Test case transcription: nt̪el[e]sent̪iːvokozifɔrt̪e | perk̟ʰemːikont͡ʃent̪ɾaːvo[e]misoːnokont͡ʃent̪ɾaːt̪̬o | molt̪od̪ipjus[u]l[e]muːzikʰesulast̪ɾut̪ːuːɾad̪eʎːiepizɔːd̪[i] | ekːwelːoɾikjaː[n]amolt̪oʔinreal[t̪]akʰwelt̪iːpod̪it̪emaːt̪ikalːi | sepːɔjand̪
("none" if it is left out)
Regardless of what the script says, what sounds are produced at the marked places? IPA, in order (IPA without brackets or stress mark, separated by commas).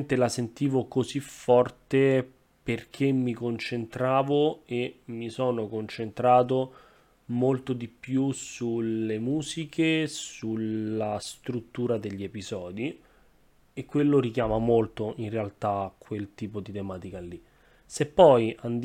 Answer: a, e, u, e, i, m, t̪